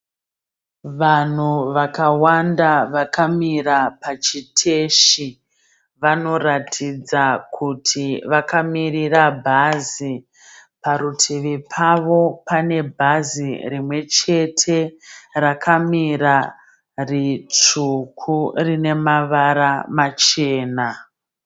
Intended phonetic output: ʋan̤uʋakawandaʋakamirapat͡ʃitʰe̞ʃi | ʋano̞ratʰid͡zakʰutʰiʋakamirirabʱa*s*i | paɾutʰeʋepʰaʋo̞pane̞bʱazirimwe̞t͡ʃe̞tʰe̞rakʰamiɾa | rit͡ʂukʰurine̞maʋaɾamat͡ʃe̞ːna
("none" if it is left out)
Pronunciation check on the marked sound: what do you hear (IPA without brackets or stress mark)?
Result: z